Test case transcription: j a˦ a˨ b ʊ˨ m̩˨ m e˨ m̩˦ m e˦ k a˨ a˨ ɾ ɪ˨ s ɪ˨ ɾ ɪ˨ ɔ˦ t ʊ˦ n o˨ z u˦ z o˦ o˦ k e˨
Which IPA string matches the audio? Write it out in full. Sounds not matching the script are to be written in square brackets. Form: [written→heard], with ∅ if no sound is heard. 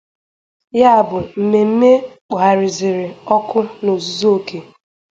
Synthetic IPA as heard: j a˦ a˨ b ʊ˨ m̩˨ m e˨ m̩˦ m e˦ [k→k͡p] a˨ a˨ ɾ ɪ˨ [s→z] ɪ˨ ɾ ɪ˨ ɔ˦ [t→k] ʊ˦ n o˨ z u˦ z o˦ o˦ k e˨

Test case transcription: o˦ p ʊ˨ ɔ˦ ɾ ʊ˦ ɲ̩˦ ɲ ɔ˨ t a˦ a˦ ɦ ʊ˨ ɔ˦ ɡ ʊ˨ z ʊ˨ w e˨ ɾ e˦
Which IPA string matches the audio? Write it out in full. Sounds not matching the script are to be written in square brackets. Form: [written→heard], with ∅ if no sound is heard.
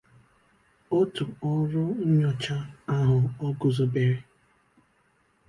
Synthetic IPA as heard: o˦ [p→t] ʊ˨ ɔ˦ ɾ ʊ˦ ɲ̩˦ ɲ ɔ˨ [t→t͡ʃ] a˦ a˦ ɦ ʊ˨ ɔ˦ ɡ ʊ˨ z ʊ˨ [w→b] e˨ ɾ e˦

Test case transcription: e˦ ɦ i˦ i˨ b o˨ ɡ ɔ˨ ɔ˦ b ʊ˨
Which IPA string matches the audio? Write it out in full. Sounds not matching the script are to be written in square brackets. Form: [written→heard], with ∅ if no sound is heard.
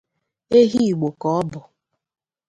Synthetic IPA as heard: e˦ ɦ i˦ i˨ [b→ɡ͡b] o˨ [ɡ→k] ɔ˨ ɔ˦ b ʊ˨

